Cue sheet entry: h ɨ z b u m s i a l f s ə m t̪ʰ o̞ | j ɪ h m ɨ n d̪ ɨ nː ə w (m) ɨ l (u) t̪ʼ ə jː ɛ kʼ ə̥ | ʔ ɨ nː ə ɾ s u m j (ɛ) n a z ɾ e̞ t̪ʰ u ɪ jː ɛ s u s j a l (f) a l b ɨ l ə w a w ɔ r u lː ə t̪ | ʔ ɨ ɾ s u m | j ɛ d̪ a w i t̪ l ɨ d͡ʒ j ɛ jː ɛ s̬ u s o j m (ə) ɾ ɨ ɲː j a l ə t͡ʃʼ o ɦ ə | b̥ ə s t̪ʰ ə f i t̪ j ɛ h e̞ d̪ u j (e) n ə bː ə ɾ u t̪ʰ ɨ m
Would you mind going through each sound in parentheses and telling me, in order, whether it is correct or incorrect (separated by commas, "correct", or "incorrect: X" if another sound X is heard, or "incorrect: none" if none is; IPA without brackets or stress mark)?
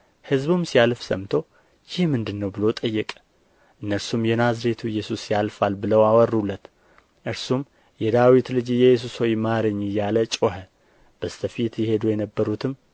incorrect: b, incorrect: o, correct, correct, incorrect: a, incorrect: ɛ